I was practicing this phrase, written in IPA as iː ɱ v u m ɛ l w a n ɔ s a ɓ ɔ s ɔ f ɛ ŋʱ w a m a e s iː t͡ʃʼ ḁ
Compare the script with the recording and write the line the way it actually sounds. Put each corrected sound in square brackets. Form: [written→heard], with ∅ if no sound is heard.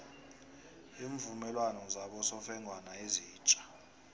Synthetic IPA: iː ɱ v u m ɛ l w a n ɔ [s→z] a ɓ ɔ s ɔ f ɛ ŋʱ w a [m→n] a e [s→z] iː t͡ʃʼ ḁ